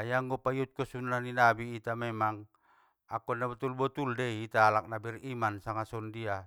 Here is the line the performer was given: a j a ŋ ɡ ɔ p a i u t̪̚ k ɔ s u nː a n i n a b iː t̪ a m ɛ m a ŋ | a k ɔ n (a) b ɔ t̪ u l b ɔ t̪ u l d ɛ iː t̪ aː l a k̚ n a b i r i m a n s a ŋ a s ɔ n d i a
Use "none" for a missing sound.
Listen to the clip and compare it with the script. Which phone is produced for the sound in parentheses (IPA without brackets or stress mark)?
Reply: a